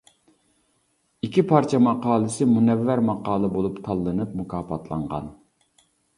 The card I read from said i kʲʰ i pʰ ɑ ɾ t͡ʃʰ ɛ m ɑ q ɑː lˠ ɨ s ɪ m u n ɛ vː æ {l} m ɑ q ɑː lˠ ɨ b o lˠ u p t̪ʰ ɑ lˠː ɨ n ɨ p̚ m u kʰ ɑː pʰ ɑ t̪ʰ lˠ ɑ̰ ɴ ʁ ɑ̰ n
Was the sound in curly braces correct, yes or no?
no